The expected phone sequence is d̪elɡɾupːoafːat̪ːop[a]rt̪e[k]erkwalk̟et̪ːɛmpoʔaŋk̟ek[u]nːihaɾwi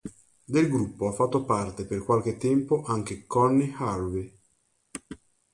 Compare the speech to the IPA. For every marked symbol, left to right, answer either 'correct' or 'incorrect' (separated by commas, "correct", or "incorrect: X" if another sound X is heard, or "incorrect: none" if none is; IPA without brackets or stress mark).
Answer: correct, incorrect: p, incorrect: ɔ